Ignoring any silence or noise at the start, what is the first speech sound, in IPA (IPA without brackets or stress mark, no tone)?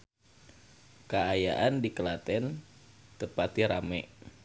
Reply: k